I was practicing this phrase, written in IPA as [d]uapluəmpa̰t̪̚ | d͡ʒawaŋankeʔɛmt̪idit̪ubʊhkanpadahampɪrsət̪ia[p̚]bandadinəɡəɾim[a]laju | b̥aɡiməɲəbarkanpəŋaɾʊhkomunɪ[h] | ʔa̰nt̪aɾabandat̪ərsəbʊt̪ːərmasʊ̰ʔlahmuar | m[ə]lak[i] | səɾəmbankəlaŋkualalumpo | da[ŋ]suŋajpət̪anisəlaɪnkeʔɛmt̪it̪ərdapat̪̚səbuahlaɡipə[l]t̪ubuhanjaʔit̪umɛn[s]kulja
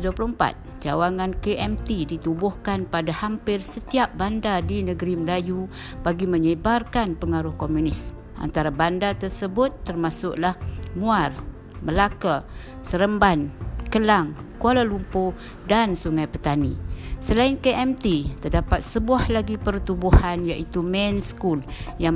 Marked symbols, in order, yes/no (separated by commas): yes, yes, no, no, yes, no, no, no, yes